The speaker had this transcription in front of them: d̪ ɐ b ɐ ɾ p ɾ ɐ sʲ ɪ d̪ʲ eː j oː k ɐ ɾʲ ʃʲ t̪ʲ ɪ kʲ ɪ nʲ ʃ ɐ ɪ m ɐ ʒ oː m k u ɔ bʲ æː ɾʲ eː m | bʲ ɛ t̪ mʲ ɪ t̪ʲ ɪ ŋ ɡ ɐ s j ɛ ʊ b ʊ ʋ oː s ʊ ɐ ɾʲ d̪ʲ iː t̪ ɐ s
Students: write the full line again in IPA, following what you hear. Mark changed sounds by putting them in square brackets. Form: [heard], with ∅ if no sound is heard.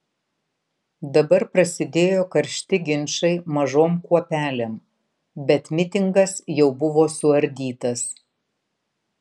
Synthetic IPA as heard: d̪ ɐ b ɐ ɾ p ɾ ɐ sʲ ɪ d̪ʲ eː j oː k ɐ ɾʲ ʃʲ t̪ʲ ɪ [ɡʲ] ɪ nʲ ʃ ɐ ɪ m ɐ ʒ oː m k u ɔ [pʲ] æː [lʲ] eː m | bʲ ɛ t̪ mʲ ɪ t̪ʲ ɪ ŋ ɡ ɐ s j ɛ ʊ b ʊ ʋ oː s ʊ ɐ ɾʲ d̪ʲ iː t̪ ɐ s